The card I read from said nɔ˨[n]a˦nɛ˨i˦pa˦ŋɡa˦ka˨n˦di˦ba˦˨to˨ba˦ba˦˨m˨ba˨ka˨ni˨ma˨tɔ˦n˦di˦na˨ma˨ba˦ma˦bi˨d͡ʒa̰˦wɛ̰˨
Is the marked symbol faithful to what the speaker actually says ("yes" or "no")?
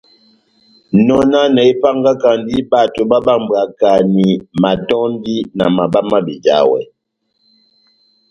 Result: yes